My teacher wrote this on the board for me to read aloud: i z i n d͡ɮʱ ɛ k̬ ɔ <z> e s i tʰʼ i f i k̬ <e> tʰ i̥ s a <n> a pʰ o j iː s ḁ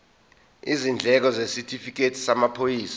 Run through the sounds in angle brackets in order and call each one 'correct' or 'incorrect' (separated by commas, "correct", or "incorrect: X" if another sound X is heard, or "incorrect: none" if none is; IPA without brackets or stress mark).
correct, correct, incorrect: m